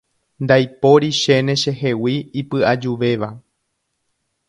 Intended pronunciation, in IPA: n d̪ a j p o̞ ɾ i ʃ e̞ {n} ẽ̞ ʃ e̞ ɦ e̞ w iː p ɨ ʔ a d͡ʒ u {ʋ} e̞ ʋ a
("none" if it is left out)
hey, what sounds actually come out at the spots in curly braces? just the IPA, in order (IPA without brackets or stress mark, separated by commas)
n, ʋ